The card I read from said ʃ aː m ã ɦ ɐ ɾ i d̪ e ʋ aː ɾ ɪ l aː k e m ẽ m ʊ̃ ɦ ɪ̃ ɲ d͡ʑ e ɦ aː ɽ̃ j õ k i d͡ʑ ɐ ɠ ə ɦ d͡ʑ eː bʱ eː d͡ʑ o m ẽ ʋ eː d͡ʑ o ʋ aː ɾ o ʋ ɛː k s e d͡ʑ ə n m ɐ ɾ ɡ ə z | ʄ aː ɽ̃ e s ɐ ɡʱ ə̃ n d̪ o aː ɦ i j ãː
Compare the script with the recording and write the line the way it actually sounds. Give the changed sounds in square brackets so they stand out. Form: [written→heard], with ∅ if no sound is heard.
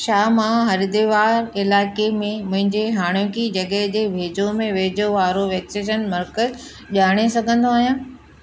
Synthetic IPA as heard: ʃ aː m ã ɦ ɐ ɾ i d̪ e ʋ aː ɾ ɪ l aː k e m ẽ m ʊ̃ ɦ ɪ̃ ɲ d͡ʑ e ɦ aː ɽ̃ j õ k i d͡ʑ ɐ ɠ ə ɦ d͡ʑ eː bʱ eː d͡ʑ o m ẽ ʋ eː d͡ʑ o ʋ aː ɾ o ʋ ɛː k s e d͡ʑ ə n m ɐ ɾ [ɡ→k] ə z | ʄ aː ɽ̃ e s ɐ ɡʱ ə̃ n d̪ o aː ɦ i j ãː